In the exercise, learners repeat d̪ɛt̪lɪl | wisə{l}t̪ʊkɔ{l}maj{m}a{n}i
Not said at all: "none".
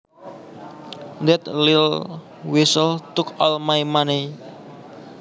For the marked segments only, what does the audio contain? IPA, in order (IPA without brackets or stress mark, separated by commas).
l, l, m, n